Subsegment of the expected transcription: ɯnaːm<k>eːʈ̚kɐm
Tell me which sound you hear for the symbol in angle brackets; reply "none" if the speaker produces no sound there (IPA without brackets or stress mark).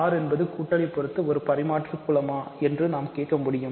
k